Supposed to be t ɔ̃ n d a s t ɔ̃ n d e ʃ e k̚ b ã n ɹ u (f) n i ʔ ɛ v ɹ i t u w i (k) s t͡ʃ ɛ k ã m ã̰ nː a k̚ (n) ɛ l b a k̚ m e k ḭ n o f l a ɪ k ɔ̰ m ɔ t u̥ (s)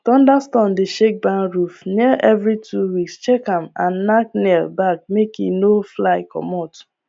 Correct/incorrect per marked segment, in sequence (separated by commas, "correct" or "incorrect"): correct, correct, correct, incorrect